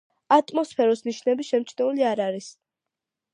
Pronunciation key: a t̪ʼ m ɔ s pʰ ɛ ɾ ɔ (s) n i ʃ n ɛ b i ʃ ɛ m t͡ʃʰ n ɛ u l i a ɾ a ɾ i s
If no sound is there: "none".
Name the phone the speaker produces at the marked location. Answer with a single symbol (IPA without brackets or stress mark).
s